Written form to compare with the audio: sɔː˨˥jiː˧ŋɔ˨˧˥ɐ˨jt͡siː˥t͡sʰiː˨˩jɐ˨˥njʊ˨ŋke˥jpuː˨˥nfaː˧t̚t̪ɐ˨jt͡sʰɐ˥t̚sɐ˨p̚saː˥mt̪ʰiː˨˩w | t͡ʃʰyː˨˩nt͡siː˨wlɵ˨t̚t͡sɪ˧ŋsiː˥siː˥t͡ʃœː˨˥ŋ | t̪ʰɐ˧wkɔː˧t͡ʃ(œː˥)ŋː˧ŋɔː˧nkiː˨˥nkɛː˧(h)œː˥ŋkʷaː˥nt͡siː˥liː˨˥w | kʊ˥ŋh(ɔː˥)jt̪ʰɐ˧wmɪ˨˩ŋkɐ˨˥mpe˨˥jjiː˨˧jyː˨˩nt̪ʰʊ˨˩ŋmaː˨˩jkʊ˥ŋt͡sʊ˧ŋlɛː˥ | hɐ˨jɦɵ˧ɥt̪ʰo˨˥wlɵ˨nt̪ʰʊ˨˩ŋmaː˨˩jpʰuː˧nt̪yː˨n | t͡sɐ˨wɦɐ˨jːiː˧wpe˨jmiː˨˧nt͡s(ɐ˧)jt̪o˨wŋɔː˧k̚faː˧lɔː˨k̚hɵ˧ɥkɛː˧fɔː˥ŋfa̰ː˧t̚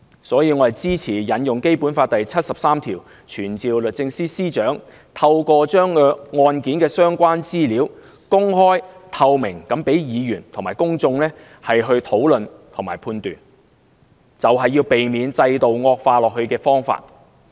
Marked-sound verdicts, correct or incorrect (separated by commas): correct, incorrect, correct, correct